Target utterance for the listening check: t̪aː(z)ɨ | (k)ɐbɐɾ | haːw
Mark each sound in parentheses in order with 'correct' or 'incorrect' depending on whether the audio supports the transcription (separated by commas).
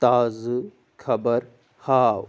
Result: correct, incorrect